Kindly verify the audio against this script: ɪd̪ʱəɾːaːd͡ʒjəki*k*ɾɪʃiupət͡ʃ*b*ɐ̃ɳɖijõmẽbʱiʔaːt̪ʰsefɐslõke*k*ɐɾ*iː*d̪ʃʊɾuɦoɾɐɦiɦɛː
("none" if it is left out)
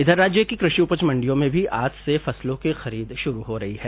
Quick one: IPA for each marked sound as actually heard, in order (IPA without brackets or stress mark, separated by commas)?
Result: k, m, x, iː